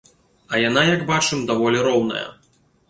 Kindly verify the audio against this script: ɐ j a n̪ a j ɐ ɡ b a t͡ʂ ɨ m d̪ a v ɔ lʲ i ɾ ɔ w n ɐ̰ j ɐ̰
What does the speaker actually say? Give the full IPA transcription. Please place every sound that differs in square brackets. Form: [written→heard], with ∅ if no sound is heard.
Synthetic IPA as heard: ɐ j a n̪ a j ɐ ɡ b a t͡ʂ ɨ m d̪ a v ɔ lʲ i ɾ ɔ w n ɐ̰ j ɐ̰